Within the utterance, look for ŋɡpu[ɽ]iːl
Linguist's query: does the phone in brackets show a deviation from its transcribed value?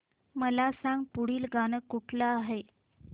no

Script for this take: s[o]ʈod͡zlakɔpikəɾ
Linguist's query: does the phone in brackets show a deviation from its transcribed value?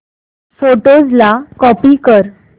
no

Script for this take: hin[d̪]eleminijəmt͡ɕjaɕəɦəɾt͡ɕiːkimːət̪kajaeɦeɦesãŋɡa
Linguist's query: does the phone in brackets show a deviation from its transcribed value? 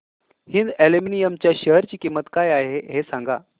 no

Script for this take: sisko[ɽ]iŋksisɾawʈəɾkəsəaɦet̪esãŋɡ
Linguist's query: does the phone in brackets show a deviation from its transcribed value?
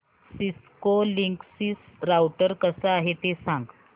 yes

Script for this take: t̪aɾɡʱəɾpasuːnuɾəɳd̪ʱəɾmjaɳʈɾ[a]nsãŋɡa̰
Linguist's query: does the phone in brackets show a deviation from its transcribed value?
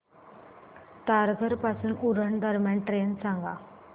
yes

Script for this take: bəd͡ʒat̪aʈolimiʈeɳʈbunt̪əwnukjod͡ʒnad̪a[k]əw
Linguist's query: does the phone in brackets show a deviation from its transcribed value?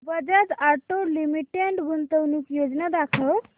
yes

